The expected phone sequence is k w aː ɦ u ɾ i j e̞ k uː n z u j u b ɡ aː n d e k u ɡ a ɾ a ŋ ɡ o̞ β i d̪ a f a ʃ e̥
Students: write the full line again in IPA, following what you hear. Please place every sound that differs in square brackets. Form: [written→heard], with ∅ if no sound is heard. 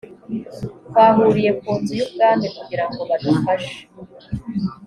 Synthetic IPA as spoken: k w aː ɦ u ɾ i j e̞ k uː n z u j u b ɡ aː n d e k u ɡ [a→i] ɾ a ŋ ɡ o̞ β [i→a] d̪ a f a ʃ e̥